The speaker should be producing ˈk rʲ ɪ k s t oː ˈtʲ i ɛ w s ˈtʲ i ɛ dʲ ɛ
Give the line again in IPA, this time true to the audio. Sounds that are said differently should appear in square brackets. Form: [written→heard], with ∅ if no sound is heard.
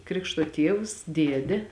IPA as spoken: ˈk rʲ ɪ k [s→ʃ] t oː ˈtʲ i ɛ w s [ˈtʲ→ˈdʲ] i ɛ dʲ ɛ